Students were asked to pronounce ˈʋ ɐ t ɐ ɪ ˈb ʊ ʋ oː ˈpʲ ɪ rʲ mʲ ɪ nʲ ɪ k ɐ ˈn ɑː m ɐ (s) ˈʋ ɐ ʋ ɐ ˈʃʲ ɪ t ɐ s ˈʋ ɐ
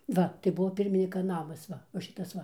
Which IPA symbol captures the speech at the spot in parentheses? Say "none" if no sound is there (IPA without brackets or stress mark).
s